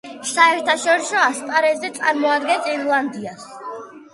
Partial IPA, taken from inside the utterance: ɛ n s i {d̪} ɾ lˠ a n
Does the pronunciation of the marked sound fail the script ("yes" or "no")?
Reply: yes